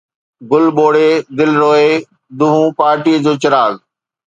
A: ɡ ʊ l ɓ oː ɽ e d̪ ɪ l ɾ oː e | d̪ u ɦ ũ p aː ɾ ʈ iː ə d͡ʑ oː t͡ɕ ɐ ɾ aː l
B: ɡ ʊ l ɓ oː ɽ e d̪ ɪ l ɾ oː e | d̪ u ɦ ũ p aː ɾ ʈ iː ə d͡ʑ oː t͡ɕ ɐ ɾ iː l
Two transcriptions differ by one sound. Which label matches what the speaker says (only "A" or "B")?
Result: A